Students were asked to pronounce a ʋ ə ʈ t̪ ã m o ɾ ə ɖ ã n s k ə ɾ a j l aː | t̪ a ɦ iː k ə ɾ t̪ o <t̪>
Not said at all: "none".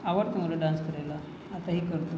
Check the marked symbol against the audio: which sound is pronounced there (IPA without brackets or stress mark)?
none